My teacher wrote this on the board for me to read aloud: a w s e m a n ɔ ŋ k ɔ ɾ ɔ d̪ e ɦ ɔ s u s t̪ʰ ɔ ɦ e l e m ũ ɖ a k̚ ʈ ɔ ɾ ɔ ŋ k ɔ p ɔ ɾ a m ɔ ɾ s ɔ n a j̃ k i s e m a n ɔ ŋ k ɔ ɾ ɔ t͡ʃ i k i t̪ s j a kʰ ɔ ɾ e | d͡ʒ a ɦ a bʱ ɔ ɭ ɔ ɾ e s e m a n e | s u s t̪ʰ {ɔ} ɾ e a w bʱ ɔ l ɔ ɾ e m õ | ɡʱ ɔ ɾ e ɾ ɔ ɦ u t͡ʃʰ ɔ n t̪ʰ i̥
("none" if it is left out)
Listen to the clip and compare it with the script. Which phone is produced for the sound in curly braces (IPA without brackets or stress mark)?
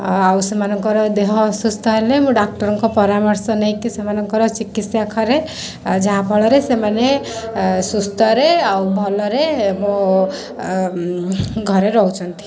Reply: ɔ